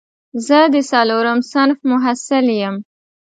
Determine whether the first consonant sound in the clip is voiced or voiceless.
voiced